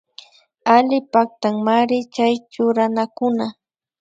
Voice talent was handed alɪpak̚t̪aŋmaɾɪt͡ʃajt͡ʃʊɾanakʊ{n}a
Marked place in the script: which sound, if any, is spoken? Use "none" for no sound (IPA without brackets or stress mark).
n